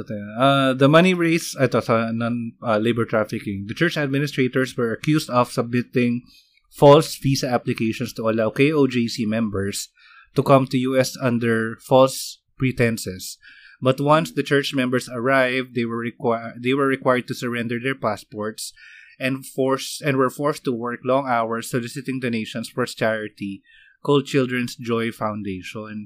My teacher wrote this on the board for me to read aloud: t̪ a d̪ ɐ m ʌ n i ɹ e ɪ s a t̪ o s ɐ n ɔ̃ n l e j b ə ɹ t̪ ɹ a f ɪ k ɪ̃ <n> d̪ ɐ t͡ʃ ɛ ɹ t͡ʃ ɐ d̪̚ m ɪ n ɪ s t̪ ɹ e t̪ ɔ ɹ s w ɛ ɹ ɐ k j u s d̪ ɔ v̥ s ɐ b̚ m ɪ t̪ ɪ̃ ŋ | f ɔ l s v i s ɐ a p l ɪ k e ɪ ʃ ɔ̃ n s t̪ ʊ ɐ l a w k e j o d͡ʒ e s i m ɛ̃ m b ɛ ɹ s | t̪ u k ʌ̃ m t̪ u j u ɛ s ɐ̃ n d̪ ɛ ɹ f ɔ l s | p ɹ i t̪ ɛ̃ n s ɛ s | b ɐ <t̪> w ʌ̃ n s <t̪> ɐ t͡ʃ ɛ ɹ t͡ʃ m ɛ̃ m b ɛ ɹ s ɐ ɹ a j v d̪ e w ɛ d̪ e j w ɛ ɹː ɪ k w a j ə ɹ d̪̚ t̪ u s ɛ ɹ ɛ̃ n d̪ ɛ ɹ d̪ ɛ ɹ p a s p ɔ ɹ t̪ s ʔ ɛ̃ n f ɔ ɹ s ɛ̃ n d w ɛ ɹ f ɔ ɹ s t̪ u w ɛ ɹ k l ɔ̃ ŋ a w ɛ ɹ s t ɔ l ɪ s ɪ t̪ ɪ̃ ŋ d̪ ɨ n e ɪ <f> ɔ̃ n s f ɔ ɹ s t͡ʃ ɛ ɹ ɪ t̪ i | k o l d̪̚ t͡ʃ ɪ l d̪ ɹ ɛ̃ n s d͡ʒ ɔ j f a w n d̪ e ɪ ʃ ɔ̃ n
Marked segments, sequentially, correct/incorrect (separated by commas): incorrect, correct, incorrect, incorrect